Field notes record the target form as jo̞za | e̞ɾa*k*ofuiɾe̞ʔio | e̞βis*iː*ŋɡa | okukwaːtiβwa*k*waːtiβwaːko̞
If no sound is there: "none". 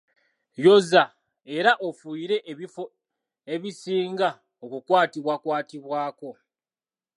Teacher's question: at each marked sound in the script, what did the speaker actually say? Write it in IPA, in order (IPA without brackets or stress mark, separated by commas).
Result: ʔ, iː, k